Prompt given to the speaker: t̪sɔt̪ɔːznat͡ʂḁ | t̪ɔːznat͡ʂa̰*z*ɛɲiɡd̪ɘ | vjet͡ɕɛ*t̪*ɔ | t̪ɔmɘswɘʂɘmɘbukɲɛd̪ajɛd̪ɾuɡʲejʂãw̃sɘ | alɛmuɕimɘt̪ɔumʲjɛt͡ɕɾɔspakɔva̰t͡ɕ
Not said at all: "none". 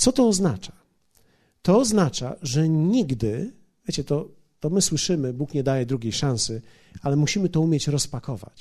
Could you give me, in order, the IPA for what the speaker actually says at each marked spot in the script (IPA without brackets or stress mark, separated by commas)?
ʐ, t̪